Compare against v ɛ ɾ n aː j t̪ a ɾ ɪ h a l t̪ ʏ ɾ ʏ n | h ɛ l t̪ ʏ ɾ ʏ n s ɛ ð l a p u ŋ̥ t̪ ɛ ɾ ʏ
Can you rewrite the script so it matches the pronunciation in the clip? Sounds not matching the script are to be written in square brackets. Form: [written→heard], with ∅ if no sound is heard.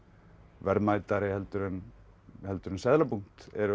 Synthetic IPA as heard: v ɛ ɾ [n→m] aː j t̪ a ɾ ɪ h [a→ɛ] l t̪ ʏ ɾ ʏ n | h ɛ l t̪ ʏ ɾ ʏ n s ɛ ð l a p u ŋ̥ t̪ ɛ ɾ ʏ